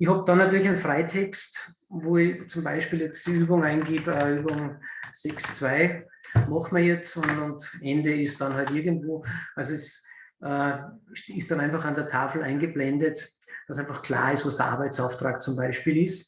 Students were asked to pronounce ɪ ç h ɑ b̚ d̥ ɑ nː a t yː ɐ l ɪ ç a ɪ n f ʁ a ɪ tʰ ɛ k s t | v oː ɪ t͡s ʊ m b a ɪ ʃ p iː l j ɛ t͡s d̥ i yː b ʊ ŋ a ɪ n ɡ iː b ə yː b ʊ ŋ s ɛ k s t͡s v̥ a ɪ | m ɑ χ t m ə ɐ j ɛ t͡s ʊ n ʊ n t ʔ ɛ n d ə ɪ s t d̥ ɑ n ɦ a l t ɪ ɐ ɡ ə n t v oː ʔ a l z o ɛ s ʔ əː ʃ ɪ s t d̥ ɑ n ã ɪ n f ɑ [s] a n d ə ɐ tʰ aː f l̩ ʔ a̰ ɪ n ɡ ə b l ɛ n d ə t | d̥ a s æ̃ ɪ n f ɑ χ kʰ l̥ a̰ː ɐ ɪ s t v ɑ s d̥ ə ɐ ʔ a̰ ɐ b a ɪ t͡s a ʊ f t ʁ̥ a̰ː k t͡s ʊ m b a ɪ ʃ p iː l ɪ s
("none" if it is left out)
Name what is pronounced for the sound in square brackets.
χ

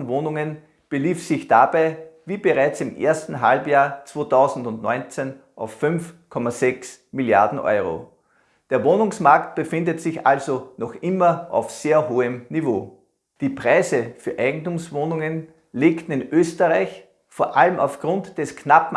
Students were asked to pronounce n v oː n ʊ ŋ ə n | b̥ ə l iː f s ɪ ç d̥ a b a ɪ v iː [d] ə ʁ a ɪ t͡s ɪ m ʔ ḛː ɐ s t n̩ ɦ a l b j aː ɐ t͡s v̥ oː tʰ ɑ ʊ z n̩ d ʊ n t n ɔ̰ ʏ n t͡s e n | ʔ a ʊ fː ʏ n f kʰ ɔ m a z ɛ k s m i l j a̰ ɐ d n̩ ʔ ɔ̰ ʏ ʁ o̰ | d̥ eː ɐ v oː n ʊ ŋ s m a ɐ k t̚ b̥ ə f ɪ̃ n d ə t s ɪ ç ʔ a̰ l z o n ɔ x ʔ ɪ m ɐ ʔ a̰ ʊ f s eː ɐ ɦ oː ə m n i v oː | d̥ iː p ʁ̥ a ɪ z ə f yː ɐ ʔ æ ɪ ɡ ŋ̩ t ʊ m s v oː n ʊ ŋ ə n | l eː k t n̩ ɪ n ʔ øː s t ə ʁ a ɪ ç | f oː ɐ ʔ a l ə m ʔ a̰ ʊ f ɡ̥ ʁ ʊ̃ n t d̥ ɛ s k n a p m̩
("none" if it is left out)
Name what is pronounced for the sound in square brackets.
b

